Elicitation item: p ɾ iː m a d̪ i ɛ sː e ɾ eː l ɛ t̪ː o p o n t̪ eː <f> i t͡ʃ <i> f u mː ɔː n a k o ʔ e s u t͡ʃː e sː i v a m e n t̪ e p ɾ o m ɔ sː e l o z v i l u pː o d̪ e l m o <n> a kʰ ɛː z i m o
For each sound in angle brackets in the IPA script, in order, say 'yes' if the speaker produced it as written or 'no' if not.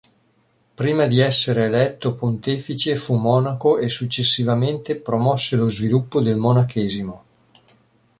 yes, no, yes

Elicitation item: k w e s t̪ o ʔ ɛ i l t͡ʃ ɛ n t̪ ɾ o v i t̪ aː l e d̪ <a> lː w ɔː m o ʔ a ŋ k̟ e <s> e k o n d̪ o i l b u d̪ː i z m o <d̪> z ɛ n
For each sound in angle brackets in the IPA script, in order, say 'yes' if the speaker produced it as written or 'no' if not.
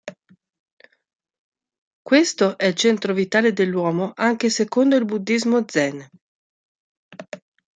no, yes, yes

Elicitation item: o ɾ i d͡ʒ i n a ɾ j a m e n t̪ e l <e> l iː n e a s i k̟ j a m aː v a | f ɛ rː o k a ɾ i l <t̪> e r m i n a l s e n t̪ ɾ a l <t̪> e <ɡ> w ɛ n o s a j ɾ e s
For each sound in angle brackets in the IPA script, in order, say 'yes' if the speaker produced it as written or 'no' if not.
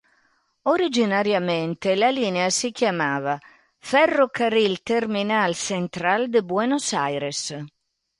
no, yes, no, no

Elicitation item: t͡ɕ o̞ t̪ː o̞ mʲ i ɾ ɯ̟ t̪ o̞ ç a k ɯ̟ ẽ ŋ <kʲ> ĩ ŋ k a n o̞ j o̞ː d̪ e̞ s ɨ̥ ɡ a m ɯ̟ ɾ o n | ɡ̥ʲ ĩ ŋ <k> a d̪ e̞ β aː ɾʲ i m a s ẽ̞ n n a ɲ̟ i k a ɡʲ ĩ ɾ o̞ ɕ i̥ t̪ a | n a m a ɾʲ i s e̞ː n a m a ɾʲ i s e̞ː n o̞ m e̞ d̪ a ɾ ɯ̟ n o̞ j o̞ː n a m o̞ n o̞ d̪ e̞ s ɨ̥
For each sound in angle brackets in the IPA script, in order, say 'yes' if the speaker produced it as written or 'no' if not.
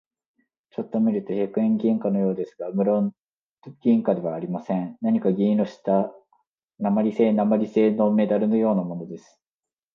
no, yes

